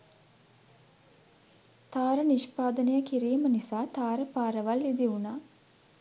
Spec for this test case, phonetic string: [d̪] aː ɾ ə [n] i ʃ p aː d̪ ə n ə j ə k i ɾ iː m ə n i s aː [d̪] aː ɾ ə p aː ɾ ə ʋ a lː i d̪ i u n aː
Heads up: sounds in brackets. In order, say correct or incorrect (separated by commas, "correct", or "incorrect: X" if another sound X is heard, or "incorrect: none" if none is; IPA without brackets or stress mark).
incorrect: t̪, correct, incorrect: t̪